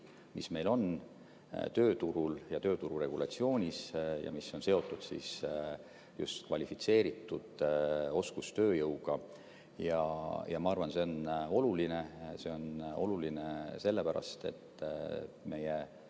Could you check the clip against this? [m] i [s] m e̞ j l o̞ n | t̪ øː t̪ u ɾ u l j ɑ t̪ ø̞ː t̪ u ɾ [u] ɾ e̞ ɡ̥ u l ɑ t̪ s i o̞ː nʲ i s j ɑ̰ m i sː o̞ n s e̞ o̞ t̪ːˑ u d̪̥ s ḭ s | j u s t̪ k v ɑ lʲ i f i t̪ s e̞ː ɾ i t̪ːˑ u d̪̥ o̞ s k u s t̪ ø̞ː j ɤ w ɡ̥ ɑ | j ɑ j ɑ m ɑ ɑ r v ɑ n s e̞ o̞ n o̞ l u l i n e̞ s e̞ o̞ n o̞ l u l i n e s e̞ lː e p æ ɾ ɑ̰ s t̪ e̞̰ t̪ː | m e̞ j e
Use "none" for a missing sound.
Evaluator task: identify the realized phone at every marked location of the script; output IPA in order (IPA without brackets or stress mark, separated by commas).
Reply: m, s, u